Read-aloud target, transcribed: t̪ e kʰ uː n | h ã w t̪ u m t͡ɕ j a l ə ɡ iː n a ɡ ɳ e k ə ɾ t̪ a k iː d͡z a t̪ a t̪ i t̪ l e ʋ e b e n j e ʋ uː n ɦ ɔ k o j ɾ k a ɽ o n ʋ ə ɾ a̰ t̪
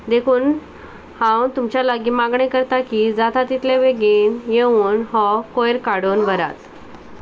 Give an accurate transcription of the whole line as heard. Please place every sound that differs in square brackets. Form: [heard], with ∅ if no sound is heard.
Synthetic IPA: [d̪] e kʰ uː n | h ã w t̪ u m t͡ɕ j a l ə ɡ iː [m] a ɡ ɳ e k ə ɾ t̪ a k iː d͡z a t̪ a t̪ i t̪ l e ʋ e [ɡ] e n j e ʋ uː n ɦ ɔ k o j ɾ k a ɽ o n ʋ ə ɾ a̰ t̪